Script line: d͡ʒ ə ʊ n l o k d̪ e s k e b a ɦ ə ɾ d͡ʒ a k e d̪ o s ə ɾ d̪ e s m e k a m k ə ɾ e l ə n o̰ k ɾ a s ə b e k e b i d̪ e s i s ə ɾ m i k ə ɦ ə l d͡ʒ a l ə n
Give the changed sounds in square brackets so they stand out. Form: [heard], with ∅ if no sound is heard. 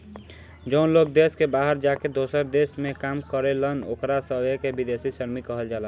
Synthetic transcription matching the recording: d͡ʒ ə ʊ n l o k d̪ e s k e b a ɦ ə ɾ d͡ʒ a k e d̪ o s ə ɾ d̪ e s m e k a m k ə ɾ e l ə n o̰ k ɾ a s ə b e k e b i d̪ e s i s ə ɾ m i k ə ɦ ə l d͡ʒ a l ə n